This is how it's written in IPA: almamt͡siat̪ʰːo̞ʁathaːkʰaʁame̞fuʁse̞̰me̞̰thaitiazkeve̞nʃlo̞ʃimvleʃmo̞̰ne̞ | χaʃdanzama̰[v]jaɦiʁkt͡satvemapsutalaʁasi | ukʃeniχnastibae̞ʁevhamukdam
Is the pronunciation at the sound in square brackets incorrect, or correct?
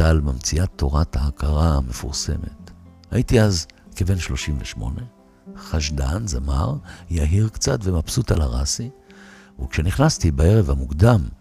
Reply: incorrect